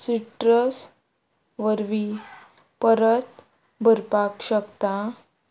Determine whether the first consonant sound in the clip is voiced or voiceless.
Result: voiceless